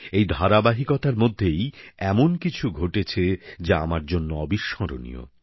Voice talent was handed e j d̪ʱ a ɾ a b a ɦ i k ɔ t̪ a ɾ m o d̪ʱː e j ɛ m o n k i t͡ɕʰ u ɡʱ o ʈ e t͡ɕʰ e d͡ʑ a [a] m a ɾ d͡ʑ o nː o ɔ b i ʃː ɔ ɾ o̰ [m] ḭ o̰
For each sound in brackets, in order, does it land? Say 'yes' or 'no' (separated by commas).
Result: yes, no